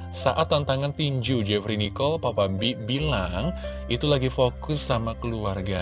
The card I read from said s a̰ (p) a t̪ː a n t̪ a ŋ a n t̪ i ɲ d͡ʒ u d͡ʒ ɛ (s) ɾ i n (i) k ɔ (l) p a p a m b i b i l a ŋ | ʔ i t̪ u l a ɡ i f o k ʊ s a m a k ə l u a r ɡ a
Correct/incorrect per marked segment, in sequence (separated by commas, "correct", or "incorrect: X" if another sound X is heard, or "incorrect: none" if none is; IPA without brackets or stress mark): incorrect: ʔ, incorrect: f, correct, correct